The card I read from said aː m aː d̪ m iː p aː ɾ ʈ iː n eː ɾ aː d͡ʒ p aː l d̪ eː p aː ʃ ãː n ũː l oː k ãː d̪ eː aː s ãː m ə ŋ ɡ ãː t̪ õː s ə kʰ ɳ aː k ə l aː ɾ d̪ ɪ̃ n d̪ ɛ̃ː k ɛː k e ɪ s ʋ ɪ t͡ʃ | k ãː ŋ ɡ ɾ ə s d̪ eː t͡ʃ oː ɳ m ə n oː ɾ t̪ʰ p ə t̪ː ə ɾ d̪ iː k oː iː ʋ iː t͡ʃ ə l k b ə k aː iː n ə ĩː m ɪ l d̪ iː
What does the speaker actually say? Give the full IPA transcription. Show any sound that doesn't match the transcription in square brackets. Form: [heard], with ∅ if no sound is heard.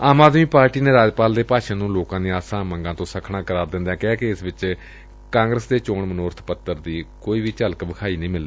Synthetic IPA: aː m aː d̪ m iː p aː ɾ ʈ iː n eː ɾ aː d͡ʒ p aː l d̪ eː p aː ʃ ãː n ũː l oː k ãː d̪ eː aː s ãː m ə ŋ ɡ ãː t̪ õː s ə kʰ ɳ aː k ə [ɾ] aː ɾ d̪ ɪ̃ n d̪ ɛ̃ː k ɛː k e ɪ s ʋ ɪ t͡ʃ | k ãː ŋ ɡ ɾ ə s d̪ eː t͡ʃ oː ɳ m ə n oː ɾ t̪ʰ p ə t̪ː ə ɾ d̪ iː k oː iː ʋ iː t͡ʃ ə l k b ə [kʰ] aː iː n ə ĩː m ɪ l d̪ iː